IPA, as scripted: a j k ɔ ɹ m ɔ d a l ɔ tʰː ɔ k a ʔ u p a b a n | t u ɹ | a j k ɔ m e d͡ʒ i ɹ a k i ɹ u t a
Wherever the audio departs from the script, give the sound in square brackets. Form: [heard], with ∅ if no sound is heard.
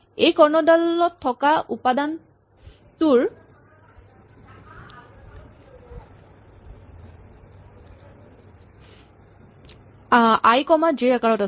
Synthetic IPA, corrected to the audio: [e] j k ɔ ɹ [n] ɔ d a l ɔ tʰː ɔ k a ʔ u p a [d] a n | t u ɹ | a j k ɔ m [a] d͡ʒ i ɹ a k [a] ɹ [ɔ] t a